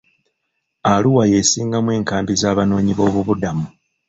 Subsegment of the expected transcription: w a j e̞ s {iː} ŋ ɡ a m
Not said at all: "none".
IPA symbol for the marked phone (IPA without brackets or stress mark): iː